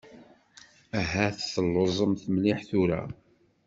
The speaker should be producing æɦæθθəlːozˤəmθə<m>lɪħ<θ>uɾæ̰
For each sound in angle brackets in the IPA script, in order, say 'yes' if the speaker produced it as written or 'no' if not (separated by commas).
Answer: yes, yes